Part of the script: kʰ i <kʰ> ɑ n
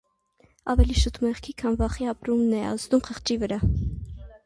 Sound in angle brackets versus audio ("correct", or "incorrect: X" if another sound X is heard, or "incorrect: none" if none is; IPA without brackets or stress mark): correct